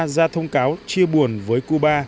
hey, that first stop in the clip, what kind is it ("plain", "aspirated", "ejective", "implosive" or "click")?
aspirated